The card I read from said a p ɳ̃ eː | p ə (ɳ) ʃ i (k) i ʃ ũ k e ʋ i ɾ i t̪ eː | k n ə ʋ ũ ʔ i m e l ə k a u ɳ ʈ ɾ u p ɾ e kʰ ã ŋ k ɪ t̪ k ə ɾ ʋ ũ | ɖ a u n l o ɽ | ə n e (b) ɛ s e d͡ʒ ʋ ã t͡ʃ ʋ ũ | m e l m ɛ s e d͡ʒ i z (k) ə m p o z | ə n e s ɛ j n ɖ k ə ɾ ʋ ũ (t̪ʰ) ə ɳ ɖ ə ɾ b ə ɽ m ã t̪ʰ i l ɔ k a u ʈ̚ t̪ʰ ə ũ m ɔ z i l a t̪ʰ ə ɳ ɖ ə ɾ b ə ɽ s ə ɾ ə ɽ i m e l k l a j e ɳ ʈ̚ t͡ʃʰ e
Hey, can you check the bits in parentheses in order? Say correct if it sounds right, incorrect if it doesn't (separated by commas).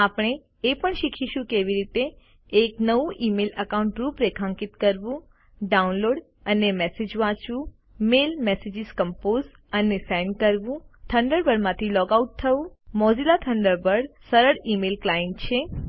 correct, incorrect, incorrect, correct, correct